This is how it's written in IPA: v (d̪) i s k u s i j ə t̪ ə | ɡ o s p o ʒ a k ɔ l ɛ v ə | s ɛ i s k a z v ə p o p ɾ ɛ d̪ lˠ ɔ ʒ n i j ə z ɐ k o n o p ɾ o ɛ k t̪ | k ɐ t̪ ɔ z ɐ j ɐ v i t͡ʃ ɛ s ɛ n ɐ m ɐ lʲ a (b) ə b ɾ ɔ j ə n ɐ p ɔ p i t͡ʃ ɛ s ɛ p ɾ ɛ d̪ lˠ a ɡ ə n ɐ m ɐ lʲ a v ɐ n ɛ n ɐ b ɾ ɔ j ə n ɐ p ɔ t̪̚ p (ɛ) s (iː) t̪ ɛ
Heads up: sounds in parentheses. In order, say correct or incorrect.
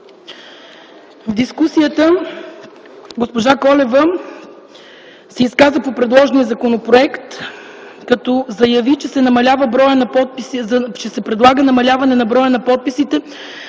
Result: correct, incorrect: v, incorrect: i, incorrect: i

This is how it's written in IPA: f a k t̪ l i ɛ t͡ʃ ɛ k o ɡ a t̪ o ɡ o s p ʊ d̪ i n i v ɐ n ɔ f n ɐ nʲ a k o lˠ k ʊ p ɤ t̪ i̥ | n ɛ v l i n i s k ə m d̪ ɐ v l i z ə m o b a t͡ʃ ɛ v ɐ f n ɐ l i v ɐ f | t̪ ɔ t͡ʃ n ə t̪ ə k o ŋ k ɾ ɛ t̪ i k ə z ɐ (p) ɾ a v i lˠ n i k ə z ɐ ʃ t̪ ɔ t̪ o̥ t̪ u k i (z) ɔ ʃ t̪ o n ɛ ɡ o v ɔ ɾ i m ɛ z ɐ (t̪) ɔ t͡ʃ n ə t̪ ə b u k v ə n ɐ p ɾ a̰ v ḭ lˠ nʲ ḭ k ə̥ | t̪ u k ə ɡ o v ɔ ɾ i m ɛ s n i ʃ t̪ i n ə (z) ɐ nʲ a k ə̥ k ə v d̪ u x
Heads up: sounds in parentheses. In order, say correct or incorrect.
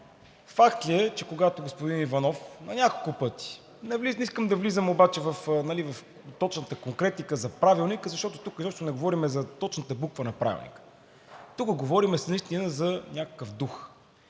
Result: correct, correct, correct, correct

